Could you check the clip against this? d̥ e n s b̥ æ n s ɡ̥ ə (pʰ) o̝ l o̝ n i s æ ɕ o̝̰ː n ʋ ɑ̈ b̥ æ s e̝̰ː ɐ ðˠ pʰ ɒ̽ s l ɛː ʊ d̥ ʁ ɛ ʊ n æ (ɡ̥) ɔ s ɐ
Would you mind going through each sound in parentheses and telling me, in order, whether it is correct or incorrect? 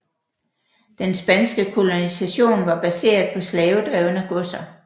incorrect: kʰ, correct

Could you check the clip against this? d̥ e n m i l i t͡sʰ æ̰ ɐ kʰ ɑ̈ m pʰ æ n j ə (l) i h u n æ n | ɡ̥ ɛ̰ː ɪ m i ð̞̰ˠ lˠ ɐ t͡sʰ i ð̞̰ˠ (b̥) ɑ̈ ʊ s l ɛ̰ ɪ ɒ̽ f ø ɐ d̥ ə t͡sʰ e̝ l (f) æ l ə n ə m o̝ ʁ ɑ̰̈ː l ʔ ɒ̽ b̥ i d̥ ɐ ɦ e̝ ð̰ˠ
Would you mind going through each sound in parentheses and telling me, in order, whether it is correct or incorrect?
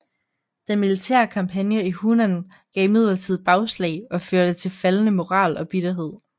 incorrect: none, correct, correct

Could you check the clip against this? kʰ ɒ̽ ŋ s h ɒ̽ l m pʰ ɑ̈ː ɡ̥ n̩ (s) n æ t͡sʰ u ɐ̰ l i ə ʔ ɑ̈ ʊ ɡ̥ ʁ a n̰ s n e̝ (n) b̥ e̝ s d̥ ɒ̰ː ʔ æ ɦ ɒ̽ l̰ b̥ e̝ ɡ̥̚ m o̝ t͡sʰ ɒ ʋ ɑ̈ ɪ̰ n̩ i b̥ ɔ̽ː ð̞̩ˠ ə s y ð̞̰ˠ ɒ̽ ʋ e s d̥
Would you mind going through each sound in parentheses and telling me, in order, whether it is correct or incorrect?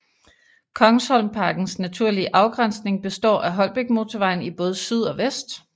correct, incorrect: ŋ

